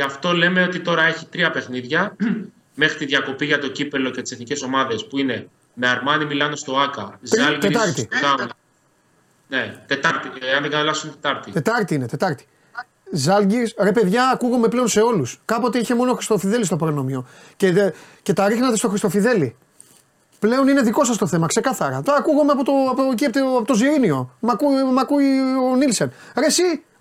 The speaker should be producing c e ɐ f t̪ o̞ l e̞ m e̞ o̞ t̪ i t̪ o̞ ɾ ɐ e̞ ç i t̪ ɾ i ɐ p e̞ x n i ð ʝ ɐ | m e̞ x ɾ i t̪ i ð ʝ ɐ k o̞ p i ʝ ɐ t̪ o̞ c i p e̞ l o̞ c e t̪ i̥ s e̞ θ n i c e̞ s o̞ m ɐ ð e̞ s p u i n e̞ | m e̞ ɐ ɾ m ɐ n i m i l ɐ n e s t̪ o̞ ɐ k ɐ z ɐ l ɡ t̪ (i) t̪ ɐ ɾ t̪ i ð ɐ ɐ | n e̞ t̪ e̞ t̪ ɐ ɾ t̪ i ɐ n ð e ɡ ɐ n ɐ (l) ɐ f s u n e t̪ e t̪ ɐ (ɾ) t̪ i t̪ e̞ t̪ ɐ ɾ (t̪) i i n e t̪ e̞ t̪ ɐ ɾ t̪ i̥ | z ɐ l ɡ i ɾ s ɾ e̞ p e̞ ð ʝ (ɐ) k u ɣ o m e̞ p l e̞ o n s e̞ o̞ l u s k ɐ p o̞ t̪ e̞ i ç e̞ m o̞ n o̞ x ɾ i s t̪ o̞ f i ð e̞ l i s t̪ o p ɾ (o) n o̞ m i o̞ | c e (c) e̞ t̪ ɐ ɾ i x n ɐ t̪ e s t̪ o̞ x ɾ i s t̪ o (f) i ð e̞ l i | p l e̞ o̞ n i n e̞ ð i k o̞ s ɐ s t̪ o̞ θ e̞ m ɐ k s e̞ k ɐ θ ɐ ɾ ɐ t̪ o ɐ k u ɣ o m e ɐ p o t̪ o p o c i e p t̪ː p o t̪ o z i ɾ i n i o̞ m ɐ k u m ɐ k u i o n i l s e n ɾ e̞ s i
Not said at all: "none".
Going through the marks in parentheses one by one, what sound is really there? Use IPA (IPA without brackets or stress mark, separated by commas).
e, l, ɾ, t̪, ɐː, o, c, f